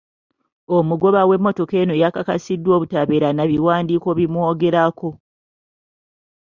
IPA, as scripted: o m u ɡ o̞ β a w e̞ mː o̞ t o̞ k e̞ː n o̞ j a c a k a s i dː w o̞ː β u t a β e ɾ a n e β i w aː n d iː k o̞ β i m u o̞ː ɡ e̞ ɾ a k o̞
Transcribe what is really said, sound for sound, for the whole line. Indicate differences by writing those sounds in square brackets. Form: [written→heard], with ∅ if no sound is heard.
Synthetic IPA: o m u ɡ o̞ β a w e̞ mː o̞ t o̞ k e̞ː n o̞ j a [c→k] a k a s i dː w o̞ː β u t a β e ɾ a n [e→a] β i w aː n d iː k o̞ β i m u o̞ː ɡ e̞ ɾ a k o̞